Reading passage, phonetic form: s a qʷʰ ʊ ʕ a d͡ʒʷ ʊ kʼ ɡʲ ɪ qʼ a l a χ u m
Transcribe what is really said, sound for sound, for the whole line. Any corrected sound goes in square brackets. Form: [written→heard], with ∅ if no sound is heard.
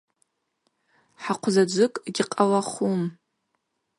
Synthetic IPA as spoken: [s→ħ] a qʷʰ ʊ [ʕ→z] a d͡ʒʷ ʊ kʼ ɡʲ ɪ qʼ a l a χ u m